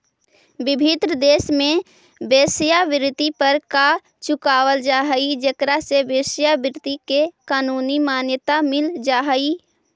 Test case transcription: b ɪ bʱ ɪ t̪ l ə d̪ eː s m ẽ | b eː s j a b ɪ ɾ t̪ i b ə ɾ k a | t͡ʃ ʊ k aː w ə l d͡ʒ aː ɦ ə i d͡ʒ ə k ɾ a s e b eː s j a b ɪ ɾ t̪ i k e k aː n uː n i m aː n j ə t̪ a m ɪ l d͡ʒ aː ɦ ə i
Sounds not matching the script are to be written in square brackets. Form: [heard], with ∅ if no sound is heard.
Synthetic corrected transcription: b ɪ bʱ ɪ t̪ [ɾ] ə d̪ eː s m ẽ | b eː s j a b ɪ ɾ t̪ i [p] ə ɾ k a | t͡ʃ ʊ k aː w ə l d͡ʒ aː ɦ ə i d͡ʒ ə k ɾ a s e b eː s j a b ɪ ɾ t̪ i k e k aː n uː n i m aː n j ə t̪ a m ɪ l d͡ʒ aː ɦ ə i